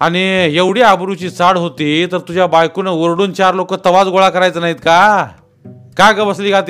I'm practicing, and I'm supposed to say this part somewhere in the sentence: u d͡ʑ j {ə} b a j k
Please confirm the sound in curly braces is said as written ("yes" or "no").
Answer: no